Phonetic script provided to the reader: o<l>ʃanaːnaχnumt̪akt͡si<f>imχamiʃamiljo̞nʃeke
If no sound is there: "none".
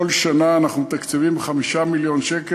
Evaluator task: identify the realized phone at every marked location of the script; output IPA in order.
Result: l, v

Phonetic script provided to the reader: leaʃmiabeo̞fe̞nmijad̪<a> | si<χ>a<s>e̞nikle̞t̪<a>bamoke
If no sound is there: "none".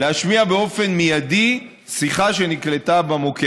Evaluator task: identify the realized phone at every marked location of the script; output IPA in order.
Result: i, χ, ʃ, a

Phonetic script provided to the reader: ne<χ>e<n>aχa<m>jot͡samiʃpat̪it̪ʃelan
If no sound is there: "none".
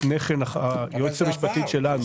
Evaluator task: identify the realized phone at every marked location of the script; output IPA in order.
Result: χ, n, none

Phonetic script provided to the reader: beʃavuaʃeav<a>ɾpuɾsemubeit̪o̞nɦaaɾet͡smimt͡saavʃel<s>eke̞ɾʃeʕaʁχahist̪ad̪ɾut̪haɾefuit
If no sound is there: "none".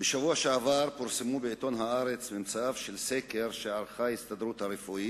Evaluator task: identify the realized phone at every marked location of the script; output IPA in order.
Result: a, s

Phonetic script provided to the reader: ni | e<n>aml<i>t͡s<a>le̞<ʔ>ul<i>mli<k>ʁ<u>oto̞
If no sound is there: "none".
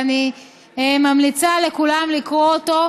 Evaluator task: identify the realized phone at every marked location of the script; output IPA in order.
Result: m, i, a, k, a, k, o

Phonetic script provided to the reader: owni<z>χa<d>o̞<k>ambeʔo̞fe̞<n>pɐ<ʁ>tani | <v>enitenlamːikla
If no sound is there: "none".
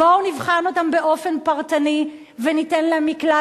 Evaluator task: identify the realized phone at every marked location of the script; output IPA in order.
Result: v, n, t, n, ʁ, v

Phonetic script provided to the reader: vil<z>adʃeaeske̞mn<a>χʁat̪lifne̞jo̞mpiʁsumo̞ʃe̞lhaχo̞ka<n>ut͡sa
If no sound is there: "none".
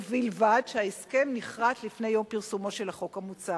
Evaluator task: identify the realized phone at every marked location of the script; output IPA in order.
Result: v, i, m

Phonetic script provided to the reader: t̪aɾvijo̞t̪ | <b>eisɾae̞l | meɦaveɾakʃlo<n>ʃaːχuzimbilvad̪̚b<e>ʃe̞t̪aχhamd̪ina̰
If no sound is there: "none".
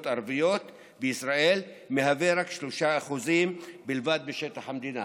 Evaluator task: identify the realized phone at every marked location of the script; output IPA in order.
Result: b, none, e

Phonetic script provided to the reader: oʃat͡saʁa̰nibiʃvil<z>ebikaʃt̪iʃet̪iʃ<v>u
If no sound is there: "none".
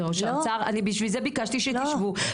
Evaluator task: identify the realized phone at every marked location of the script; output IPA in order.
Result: z, v

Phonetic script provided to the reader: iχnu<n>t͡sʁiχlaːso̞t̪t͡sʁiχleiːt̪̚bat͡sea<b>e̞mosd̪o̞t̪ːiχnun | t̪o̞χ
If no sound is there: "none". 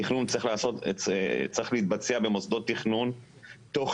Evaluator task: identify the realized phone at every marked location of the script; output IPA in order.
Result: n, b

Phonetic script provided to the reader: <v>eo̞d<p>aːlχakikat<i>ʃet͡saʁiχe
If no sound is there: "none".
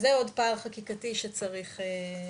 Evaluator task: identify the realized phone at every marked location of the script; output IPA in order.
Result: z, p, i

